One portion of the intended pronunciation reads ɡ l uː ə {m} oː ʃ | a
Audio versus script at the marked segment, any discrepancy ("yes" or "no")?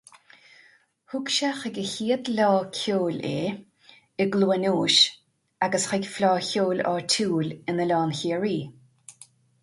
yes